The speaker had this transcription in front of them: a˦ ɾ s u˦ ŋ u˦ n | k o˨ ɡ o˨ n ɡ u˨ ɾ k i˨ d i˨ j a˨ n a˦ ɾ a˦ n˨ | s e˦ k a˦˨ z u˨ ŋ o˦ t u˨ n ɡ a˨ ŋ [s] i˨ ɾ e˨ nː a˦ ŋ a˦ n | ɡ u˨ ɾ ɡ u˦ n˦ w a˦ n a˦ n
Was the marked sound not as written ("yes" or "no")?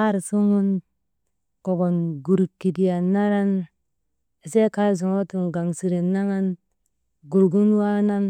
no